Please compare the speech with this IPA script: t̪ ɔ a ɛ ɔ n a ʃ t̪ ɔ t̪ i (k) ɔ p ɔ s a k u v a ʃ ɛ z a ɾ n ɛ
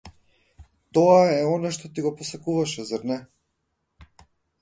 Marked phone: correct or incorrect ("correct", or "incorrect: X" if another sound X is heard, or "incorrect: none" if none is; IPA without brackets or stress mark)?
incorrect: ɡ